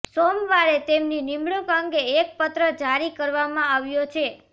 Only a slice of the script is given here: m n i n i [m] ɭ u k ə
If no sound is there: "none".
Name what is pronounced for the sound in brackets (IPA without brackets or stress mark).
m